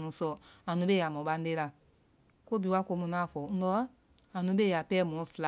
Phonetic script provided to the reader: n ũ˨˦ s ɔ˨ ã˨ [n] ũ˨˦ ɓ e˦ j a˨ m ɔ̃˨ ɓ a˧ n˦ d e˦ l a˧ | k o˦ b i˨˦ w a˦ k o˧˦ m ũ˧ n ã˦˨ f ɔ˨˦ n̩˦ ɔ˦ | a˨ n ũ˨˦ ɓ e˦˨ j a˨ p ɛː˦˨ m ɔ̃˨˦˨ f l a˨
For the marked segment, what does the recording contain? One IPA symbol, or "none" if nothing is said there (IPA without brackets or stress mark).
n